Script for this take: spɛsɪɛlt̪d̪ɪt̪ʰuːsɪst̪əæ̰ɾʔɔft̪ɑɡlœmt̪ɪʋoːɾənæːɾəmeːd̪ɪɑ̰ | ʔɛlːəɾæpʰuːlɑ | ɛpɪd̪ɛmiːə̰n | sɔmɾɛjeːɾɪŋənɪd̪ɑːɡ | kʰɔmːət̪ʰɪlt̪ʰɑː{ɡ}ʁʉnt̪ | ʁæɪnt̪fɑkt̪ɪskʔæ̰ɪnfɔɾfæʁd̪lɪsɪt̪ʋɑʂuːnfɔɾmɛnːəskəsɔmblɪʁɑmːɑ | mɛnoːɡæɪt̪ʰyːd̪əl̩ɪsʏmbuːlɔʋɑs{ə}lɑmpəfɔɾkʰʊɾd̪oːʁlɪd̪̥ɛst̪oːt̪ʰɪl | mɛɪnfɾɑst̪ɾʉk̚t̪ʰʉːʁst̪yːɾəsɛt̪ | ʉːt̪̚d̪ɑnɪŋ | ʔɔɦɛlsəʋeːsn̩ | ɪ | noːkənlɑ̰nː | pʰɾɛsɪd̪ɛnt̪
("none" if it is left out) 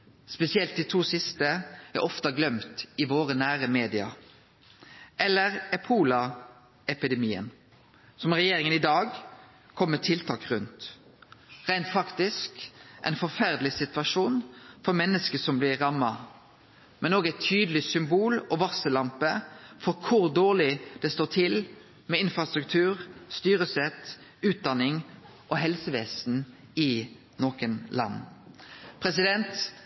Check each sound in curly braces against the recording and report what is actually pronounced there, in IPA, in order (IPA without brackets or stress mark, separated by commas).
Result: k, ə